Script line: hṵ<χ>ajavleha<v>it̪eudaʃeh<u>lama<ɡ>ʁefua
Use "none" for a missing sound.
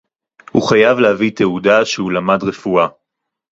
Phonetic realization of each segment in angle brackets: χ, v, u, d

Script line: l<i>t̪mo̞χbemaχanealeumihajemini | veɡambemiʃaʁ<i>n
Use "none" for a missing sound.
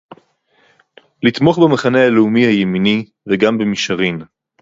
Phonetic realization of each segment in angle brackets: i, i

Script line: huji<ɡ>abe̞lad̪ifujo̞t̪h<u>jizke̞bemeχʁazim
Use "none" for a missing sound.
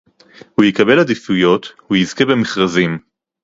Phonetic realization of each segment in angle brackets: k, u

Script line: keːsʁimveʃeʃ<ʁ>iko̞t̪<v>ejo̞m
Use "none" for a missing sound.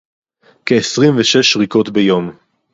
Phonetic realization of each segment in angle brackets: ʁ, b

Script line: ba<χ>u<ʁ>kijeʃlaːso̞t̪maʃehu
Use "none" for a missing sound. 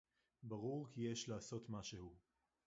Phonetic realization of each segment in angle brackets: ʁ, ʁ

